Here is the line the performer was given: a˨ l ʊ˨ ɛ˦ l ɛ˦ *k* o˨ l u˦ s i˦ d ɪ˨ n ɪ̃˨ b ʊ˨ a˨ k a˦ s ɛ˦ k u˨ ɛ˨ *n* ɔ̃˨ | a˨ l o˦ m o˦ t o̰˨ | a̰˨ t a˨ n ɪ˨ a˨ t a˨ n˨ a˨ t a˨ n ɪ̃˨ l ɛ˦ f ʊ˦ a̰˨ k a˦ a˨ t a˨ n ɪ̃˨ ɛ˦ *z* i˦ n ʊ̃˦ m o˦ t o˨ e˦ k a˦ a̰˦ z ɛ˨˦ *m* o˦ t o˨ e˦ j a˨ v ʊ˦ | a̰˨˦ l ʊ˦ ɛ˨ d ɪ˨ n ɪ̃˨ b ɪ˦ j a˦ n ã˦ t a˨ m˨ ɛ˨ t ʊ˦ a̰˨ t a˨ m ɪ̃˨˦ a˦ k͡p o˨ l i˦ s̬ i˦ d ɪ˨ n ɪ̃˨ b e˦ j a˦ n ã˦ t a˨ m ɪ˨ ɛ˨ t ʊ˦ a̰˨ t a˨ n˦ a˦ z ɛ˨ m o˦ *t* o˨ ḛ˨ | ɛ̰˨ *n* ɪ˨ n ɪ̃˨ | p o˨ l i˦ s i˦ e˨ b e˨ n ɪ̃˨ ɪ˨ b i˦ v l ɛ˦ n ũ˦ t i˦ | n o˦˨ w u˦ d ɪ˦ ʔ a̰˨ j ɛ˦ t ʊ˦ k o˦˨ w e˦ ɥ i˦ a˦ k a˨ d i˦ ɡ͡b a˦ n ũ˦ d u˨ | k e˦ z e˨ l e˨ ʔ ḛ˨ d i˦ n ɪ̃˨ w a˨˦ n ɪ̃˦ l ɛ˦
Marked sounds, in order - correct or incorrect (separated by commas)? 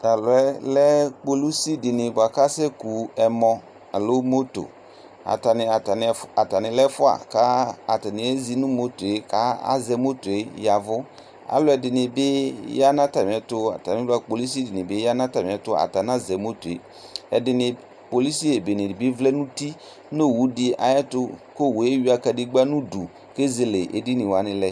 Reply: incorrect, incorrect, correct, correct, correct, incorrect